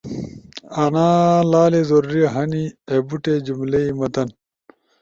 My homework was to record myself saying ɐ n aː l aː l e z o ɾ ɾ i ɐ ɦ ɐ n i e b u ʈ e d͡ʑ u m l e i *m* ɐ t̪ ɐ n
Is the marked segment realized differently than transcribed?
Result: no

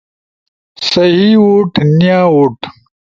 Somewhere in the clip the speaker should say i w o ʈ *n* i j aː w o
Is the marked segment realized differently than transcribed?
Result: no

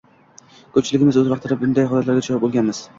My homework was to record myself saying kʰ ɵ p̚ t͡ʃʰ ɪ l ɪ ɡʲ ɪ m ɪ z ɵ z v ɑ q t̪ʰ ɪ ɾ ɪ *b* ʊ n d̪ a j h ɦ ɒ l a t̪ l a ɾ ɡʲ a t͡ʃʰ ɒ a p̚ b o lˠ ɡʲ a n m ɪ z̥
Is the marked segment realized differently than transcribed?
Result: no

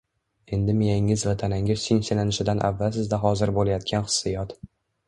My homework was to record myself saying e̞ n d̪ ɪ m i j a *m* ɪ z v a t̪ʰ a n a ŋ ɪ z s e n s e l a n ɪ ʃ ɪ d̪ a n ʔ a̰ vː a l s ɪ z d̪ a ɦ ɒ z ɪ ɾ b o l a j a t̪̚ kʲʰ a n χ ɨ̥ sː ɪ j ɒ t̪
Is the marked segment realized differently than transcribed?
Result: yes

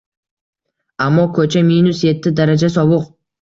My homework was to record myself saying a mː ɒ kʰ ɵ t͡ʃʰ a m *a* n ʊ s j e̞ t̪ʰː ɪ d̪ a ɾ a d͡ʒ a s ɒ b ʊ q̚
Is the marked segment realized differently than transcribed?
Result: yes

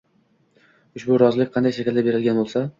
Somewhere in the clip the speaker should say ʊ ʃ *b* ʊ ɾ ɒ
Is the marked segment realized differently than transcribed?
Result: no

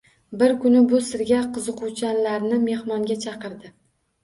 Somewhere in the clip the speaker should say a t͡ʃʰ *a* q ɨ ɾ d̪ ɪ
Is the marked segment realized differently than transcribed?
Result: yes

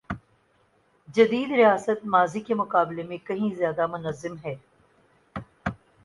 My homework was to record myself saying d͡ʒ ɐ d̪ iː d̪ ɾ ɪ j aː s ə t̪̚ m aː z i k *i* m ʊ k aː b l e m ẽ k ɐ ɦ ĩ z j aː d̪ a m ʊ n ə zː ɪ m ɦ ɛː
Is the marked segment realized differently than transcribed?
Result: yes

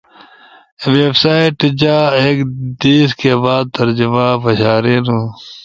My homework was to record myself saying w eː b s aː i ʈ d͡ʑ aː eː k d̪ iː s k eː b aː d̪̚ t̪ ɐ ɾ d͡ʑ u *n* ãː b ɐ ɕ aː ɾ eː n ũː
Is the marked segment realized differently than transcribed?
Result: yes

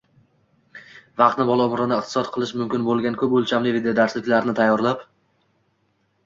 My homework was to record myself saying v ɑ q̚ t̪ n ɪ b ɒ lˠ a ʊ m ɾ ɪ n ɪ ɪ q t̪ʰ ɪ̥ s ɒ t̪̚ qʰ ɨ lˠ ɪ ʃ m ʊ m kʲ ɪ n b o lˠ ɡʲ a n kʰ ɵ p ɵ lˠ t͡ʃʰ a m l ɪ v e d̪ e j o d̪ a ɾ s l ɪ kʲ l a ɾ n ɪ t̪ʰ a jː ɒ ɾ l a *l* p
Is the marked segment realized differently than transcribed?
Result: yes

